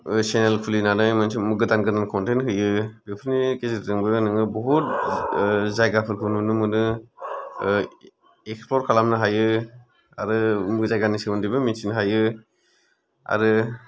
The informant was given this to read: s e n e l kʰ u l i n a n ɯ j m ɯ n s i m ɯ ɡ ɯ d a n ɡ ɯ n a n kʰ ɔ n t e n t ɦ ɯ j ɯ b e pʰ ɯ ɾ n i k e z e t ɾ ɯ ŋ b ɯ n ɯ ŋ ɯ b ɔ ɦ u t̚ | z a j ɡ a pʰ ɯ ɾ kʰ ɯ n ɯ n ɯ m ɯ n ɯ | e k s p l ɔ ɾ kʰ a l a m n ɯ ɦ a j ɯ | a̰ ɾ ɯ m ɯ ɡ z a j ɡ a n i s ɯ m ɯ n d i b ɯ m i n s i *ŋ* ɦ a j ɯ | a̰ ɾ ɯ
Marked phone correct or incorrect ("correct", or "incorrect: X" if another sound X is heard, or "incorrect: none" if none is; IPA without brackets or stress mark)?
incorrect: n